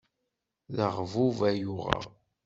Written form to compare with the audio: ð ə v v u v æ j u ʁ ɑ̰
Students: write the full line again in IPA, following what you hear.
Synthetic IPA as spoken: ð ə ʁ v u v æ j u ʁ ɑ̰

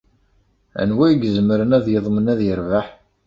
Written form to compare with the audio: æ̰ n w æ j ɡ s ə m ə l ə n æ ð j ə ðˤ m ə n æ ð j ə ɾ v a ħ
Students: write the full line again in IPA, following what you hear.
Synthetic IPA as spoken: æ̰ n w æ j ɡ z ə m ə ɾ ə n æ ð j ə ðˤ m ə n æ ð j ə ɾ v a ħ

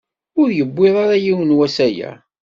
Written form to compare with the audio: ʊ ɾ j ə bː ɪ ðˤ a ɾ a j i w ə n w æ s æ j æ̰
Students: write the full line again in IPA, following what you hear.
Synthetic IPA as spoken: ʊ ɾ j ə bː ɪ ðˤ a ɾ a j i w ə n w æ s æ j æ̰

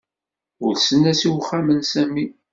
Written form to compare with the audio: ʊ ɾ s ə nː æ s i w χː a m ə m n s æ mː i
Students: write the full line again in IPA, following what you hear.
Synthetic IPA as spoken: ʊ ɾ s ə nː æ s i w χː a m ə n s æ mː i

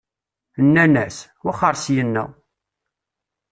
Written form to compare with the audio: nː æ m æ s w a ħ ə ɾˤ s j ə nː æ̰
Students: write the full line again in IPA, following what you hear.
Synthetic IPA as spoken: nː æ n æ s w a χ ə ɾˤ s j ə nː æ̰

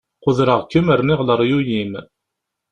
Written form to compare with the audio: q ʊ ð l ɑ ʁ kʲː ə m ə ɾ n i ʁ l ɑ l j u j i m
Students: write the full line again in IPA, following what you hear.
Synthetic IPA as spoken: q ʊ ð ɾ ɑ ʁ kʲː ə m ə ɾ n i ʁ l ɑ ɾ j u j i m

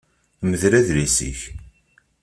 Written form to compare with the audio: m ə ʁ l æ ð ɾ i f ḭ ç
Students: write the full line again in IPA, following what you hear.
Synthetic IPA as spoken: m ə ð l æ ð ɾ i s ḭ ç

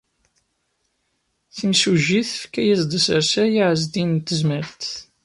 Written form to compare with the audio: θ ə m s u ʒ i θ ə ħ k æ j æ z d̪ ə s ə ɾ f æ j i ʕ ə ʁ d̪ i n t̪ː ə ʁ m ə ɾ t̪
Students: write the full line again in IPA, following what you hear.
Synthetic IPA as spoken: θ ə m s u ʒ i θ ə f k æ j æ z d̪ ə s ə ɾ s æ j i ʕ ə z d̪ i n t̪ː ə z m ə ɾ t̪

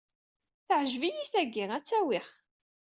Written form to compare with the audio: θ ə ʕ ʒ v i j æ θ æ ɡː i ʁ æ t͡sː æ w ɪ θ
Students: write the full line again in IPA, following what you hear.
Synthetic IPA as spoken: θ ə ʕ ʒ v i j i θ æ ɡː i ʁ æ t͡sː æ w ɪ χ

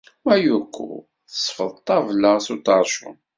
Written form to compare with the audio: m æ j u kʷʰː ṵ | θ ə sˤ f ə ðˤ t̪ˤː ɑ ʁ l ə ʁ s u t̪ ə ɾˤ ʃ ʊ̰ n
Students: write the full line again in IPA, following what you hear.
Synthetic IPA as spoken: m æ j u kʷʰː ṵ | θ ə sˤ f ə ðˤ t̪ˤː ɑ v l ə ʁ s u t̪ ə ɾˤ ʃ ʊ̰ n

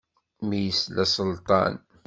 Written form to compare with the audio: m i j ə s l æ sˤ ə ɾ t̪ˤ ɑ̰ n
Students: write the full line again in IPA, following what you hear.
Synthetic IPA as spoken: m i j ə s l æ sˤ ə l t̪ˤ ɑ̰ n

